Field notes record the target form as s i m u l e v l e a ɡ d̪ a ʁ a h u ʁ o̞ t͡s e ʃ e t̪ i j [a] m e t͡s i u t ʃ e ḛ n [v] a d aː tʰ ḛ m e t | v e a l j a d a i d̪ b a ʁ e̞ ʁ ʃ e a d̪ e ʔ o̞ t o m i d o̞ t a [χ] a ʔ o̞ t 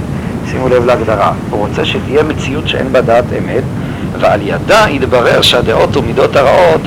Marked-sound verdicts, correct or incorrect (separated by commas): incorrect, incorrect, incorrect